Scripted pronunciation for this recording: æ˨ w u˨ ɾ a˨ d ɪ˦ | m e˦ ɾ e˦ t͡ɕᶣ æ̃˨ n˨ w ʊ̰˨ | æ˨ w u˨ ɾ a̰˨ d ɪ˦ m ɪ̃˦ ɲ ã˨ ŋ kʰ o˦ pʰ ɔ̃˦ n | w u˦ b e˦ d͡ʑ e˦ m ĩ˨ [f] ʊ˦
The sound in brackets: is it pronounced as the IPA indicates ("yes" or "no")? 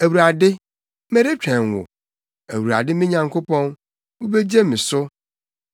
no